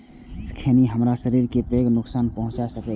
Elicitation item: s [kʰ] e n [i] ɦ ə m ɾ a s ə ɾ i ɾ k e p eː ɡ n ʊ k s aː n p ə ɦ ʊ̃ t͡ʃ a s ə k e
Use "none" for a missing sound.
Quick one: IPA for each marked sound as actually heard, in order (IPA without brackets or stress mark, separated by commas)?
kʰ, i